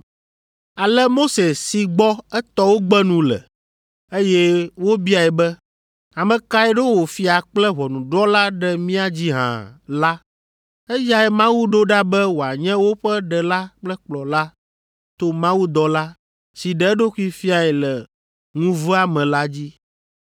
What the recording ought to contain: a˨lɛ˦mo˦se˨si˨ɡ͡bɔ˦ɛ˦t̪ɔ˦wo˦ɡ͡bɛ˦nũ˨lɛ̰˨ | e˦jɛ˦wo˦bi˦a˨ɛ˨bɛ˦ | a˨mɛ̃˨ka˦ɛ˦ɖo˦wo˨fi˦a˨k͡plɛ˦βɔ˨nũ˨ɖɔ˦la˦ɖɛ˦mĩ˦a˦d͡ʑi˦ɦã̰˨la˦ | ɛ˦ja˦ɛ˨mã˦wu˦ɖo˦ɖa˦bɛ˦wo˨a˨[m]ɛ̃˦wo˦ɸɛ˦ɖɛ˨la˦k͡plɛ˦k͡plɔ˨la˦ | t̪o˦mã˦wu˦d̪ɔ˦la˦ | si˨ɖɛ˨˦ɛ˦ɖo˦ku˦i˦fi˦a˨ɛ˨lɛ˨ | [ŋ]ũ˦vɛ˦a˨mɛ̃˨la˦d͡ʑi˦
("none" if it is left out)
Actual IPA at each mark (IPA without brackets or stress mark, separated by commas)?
ɲ, ŋ